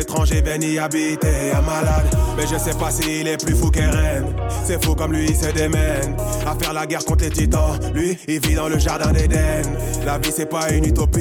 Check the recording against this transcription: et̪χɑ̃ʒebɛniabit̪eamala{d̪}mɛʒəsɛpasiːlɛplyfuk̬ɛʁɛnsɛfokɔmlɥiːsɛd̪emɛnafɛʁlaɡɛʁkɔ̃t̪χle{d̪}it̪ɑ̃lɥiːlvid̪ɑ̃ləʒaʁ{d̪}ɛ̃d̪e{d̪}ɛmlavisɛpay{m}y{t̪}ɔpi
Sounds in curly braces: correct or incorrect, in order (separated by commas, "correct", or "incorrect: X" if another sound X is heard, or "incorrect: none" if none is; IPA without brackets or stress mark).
correct, incorrect: t̪, correct, correct, incorrect: n, correct